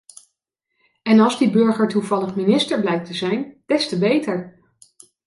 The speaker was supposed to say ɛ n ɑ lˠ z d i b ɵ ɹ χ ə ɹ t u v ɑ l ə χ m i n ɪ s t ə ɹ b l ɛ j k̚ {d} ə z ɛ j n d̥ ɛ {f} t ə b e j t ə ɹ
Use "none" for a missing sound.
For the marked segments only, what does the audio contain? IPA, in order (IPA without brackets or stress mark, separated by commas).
t, s